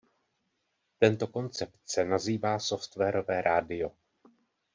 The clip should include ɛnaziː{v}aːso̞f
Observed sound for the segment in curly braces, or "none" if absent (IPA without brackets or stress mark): v